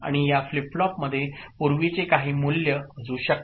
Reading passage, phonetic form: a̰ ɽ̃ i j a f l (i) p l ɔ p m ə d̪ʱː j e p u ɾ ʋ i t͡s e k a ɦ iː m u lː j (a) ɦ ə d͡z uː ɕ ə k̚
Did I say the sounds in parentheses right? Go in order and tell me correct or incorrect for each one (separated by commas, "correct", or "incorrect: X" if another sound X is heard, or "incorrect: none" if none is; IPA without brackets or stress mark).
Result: correct, incorrect: ə